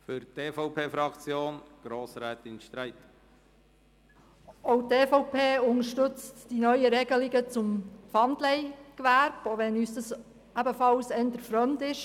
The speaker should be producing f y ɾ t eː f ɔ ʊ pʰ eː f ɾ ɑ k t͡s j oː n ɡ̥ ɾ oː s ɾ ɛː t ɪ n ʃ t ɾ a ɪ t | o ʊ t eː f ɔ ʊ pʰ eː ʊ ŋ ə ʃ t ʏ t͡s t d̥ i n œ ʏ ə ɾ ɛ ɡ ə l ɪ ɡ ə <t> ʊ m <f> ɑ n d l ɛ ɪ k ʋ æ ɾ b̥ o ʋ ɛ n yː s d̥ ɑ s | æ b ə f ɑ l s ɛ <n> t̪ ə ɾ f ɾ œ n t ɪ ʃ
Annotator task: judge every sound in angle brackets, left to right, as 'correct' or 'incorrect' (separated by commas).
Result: incorrect, correct, correct